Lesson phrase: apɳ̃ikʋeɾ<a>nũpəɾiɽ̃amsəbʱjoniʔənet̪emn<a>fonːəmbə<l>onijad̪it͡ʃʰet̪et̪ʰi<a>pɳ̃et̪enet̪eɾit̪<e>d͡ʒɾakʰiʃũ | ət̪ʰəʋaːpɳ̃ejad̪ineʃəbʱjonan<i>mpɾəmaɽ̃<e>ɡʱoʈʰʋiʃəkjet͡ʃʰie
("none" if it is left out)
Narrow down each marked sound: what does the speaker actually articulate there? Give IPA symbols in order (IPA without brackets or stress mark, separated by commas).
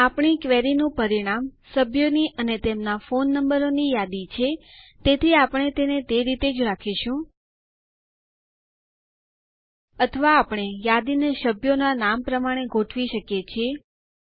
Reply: i, a, ɾ, a, e, a, e